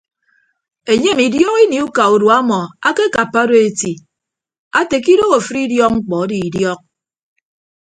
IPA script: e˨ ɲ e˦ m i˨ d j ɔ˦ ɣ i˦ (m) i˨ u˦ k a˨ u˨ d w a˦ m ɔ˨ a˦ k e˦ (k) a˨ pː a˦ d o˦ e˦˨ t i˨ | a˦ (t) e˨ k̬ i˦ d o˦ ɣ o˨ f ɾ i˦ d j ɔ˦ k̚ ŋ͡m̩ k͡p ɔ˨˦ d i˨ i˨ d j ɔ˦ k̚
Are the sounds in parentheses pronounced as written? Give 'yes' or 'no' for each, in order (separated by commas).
no, yes, yes